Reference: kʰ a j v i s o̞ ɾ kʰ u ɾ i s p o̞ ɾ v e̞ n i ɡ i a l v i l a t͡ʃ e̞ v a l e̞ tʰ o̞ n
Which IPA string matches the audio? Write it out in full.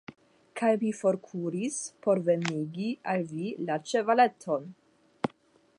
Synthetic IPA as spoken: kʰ a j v i f o̞ ɾ kʰ u ɾ i s p o̞ ɾ v e̞ n i ɡ i a l v i l a t͡ʃ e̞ v a l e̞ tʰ o̞ n